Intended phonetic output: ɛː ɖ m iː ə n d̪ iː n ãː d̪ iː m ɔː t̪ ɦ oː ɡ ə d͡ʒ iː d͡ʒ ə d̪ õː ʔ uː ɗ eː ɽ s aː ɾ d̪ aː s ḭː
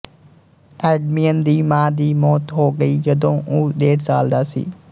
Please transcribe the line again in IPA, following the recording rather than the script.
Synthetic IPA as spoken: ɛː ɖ m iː ə n d̪ iː m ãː d̪ iː m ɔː t̪ ɦ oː ɡ ə iː d͡ʒ ə d̪ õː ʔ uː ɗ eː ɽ s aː l d̪ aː s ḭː